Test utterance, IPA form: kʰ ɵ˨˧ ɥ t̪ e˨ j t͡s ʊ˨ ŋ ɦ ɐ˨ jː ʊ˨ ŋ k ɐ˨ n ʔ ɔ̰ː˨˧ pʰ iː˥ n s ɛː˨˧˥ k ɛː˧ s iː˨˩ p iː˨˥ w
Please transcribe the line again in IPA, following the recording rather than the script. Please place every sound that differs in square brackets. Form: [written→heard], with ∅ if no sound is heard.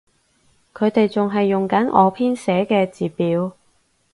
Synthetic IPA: kʰ ɵ˨˧ ɥ t̪ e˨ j t͡s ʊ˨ ŋ ɦ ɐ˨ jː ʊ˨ ŋ k [ɐ˨→ɐ˨˥] n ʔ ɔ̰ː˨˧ pʰ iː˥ n s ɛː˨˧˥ k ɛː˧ [s→t͡s] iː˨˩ p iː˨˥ w

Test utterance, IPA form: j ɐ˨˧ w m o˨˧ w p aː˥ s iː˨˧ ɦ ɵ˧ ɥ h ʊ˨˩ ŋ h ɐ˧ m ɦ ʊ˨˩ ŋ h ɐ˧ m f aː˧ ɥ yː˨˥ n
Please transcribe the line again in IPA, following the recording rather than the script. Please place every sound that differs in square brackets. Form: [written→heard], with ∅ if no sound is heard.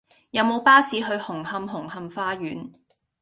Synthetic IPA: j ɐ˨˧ w m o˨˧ w p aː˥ s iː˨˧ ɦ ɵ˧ ɥ h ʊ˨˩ ŋ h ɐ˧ m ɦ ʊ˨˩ ŋ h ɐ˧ m f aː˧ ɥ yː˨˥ n

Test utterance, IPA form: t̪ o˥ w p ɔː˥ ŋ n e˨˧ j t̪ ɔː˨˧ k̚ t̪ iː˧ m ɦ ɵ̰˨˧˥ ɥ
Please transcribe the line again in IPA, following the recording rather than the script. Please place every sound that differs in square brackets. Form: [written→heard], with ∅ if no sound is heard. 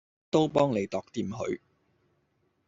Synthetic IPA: t̪ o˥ w p ɔː˥ ŋ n e˨˧ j t̪ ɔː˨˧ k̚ t̪ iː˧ m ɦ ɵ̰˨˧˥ ɥ

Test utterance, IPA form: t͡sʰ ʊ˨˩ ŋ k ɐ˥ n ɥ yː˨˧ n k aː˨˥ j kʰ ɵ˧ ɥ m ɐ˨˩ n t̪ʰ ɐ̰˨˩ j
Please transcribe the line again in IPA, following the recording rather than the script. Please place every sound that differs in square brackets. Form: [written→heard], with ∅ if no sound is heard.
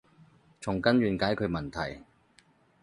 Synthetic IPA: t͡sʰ ʊ˨˩ ŋ k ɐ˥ n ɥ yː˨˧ n k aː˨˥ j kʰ ɵ˧ ɥ m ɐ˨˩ n t̪ʰ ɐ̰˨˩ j

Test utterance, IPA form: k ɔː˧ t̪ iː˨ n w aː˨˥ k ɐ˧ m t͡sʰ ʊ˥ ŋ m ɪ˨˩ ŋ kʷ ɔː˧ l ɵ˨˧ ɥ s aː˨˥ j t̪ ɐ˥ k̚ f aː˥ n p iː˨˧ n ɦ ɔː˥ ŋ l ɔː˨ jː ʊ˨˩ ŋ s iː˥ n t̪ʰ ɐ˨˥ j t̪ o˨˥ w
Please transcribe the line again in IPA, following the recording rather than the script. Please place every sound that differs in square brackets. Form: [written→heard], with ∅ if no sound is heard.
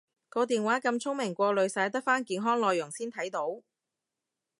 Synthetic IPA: k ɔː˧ t̪ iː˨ n w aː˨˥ k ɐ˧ m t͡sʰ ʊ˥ ŋ m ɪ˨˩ ŋ kʷ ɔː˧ l ɵ˨˧ ɥ s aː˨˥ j t̪ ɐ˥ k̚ f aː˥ n [p→k] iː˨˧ n ɦ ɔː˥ ŋ l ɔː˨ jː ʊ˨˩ ŋ s iː˥ n t̪ʰ ɐ˨˥ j t̪ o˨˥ w

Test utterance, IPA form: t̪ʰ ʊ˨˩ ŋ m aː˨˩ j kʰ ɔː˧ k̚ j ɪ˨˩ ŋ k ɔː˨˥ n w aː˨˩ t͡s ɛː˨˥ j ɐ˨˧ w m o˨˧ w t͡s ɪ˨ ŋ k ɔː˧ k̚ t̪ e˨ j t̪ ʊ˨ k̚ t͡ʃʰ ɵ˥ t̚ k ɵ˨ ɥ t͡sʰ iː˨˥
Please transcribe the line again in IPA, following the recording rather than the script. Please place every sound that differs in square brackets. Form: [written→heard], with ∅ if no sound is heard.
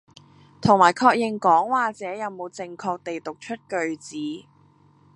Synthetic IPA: t̪ʰ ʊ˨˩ ŋ m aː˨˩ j kʰ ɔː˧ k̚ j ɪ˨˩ ŋ k ɔː˨˥ [n→ŋ] w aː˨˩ t͡s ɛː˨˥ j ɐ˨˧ w m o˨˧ w t͡s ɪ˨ ŋ [k→kʰ] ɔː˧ k̚ t̪ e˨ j t̪ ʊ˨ k̚ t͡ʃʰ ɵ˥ t̚ k ɵ˨ ɥ [t͡sʰ→t͡s] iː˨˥

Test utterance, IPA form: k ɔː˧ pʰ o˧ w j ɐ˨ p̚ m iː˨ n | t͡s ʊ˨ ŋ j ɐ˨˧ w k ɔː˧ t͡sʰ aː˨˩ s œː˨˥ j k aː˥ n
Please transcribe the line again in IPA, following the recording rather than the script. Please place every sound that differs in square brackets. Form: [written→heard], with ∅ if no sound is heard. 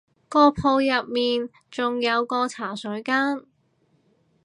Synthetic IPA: k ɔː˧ pʰ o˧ w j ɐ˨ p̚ m iː˨ n | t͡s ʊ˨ ŋ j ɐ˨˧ w k ɔː˧ t͡sʰ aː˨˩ s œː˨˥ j k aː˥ n

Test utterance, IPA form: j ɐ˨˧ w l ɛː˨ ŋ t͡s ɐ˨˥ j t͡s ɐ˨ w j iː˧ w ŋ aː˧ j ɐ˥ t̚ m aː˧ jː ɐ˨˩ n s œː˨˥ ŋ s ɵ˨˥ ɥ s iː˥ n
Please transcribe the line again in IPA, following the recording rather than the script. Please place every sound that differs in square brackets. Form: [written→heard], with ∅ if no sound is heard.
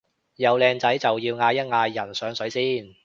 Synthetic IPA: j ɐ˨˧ w l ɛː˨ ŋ t͡s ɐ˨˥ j t͡s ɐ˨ w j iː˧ w ŋ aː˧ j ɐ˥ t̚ [m→ŋ] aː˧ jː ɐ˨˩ n s œː˨˥ ŋ s ɵ˨˥ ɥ s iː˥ n

